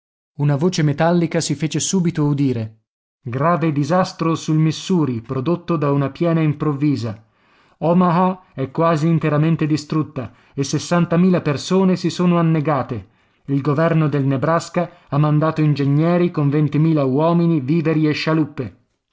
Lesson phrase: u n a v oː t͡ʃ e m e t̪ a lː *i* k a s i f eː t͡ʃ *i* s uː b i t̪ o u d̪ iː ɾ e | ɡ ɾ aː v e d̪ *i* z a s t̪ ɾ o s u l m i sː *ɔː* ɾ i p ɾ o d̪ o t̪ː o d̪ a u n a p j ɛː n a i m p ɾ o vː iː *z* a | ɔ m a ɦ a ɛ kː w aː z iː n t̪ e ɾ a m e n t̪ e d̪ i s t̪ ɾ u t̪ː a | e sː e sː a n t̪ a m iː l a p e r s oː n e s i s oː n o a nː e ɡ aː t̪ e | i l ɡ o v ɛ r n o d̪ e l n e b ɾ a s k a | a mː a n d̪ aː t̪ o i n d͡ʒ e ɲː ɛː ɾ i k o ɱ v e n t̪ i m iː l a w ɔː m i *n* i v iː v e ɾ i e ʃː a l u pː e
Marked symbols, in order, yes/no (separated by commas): yes, no, yes, no, yes, yes